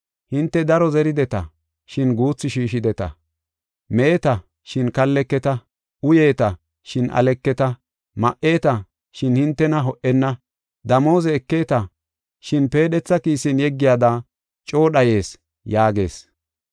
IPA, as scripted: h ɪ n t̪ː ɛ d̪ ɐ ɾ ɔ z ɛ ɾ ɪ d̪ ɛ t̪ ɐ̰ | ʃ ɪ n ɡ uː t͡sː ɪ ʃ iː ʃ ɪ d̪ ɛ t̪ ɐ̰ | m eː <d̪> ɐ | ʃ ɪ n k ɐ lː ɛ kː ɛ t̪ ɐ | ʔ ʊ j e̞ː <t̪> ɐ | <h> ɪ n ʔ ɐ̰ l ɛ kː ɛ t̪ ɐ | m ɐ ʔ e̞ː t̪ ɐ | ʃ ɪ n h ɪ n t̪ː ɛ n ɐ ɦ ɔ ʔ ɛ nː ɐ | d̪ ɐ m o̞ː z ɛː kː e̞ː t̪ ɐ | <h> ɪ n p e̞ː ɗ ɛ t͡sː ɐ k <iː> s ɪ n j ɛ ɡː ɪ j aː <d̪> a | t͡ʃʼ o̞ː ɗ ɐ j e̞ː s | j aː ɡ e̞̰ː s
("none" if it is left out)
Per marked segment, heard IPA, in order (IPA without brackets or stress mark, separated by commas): t̪, t̪, ʃ, ʃ, iː, d̪